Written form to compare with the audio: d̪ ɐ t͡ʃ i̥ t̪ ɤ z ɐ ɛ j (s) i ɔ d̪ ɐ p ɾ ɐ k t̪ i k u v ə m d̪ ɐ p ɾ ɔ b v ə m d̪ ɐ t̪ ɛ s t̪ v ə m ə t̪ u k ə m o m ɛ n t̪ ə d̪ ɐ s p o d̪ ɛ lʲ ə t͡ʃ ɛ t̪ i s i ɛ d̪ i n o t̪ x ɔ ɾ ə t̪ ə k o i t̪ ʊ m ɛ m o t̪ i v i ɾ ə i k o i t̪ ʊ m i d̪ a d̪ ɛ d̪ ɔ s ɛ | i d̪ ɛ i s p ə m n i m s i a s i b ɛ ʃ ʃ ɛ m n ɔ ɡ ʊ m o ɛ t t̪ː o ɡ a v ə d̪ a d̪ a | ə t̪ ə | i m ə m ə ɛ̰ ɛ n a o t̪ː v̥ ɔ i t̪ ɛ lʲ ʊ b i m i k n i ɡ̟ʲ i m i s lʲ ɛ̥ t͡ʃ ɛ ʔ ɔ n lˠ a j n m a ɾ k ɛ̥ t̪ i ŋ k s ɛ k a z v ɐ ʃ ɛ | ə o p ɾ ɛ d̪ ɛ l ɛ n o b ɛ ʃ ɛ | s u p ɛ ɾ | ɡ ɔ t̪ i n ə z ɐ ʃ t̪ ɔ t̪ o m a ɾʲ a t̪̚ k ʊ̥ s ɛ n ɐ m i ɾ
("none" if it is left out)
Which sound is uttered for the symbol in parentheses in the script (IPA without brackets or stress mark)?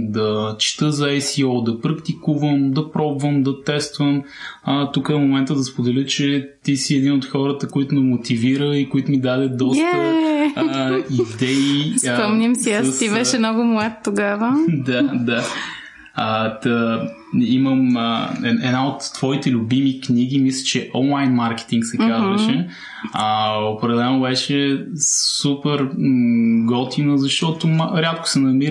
s